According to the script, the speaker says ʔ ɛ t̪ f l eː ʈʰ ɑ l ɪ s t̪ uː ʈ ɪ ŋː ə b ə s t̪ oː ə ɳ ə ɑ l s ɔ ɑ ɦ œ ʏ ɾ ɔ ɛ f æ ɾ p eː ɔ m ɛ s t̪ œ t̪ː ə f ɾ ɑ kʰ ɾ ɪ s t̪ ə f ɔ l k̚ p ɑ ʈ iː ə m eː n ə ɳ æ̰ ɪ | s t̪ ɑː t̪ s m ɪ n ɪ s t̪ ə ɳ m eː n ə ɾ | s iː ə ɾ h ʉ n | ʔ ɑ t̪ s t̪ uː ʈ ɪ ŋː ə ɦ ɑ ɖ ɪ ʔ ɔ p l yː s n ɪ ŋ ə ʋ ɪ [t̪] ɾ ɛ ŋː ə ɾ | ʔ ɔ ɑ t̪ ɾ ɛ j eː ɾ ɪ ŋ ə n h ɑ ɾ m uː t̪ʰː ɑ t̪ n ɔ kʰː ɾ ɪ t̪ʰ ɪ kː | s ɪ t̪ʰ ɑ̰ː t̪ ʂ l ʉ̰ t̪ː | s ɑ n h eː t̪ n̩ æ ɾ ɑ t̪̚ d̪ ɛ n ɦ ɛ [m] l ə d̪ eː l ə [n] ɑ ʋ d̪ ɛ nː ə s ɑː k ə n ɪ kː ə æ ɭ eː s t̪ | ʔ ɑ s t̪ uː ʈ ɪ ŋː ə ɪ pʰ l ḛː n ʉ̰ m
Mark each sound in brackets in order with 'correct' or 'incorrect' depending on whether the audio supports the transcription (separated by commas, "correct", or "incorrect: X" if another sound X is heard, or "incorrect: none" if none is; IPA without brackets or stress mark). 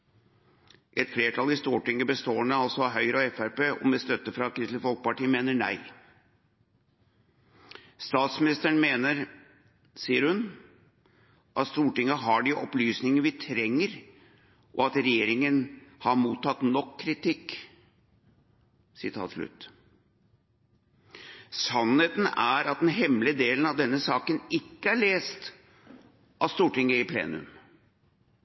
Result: incorrect: t̪ʰ, correct, correct